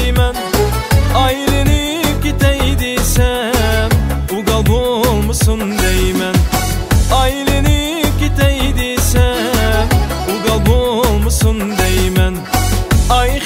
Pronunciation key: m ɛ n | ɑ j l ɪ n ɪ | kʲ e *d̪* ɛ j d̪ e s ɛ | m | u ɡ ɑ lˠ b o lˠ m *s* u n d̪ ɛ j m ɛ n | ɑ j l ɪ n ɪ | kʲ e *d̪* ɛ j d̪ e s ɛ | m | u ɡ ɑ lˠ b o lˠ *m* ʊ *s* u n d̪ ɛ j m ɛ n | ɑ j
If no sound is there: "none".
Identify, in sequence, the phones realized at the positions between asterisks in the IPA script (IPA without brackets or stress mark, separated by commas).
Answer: t̪, s, t̪, m, s